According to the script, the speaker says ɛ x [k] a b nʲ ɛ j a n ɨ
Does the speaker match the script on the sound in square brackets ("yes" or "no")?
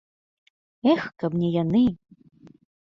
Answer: yes